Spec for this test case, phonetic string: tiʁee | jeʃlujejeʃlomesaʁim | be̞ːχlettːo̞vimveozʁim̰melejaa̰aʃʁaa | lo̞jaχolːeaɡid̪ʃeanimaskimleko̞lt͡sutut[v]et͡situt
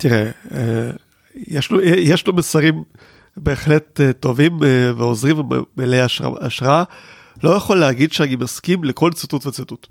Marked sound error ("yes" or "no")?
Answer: no